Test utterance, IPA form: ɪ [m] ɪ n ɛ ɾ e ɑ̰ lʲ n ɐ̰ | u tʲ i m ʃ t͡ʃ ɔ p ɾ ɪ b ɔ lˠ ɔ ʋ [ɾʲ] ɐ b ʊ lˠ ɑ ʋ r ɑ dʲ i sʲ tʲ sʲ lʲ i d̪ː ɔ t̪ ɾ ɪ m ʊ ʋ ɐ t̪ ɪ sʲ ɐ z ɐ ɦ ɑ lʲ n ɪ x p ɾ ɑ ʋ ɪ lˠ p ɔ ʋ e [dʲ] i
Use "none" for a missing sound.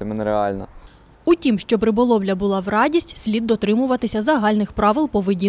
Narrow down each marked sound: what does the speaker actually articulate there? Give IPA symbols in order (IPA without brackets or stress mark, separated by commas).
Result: m, lʲ, dʲ